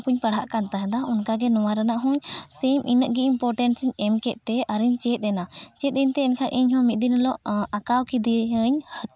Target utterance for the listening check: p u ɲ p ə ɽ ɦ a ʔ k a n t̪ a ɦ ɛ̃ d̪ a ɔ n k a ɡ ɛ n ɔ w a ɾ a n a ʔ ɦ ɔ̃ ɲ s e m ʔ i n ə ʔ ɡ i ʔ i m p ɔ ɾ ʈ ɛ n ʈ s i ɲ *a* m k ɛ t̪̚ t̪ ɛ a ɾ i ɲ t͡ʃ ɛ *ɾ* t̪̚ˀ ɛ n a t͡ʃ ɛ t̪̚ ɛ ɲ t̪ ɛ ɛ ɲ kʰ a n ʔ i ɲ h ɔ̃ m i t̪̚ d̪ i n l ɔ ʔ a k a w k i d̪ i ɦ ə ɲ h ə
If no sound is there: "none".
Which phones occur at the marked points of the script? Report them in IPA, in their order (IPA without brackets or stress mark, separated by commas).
ɛ, none